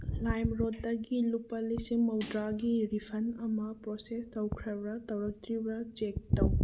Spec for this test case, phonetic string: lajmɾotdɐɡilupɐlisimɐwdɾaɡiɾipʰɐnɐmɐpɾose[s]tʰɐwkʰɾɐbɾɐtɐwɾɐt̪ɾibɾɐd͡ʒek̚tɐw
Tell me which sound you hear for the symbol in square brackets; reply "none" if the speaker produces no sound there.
s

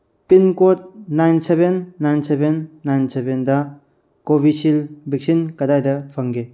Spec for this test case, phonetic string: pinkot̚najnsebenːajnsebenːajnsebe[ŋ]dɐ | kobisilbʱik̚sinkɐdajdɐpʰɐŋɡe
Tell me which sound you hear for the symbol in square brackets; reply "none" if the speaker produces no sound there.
n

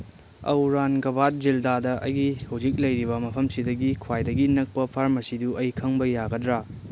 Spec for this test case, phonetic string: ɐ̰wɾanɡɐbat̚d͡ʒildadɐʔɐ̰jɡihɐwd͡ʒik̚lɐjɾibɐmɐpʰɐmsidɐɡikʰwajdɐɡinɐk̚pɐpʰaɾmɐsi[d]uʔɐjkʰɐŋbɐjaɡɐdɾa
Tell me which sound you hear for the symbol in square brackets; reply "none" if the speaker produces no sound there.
d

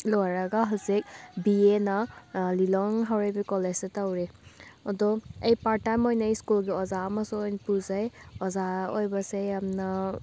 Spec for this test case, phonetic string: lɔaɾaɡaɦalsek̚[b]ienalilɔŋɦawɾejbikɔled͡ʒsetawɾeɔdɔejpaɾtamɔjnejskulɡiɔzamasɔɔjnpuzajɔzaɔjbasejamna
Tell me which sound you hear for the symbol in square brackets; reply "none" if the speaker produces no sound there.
b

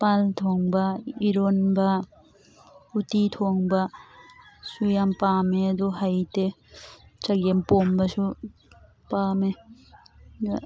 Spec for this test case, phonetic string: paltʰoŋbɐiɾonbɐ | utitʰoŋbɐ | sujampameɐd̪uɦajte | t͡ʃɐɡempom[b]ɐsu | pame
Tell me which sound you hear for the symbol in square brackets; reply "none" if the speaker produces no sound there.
b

